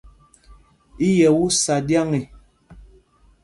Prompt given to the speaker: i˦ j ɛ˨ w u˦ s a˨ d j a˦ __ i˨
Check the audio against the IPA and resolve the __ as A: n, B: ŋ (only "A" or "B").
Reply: B